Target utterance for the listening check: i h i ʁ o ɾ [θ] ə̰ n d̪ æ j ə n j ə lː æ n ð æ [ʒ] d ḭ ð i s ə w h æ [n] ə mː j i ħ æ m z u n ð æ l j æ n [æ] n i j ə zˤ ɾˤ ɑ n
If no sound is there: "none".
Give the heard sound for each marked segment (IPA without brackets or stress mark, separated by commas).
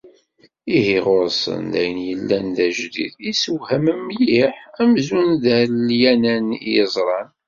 s, ʒ, m, æ